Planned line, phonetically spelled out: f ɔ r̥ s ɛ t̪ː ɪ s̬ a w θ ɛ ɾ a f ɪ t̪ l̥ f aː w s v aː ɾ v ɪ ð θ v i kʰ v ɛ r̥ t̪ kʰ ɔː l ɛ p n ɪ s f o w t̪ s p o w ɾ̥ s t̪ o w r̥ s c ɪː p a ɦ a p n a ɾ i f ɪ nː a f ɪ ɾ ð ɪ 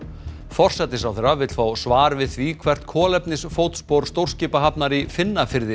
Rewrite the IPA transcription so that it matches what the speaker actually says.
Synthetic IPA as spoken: f ɔ r̥ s ɛ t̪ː ɪ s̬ a w θ ɛ ɾ a v ɪ t̪ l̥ f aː w s v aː ɾ v ɪ ð θ v i kʰ v ɛ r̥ t̪ kʰ ɔː l ɛ p n ɪ s f o w t̪ s p o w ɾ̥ s t̪ o w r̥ s c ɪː p a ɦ a p n a ɾ i f ɪ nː a f ɪ ɾ ð ɪ